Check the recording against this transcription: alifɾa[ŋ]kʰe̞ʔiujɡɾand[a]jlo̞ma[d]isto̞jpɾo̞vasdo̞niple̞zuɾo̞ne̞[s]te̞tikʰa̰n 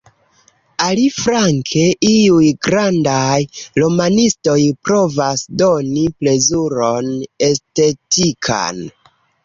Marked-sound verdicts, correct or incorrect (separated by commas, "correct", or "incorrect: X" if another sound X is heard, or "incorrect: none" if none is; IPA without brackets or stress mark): correct, correct, incorrect: n, correct